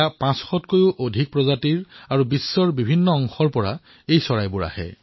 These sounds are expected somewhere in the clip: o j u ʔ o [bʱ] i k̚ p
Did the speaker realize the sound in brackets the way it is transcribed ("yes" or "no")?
no